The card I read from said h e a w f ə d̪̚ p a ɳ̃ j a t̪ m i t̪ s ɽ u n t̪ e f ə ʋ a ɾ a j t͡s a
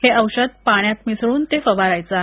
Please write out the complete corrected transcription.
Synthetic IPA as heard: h e ə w ɕ ə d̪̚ p a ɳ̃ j a t̪ m i s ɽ uː n t̪ e f ə ʋ a ɾ a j t͡s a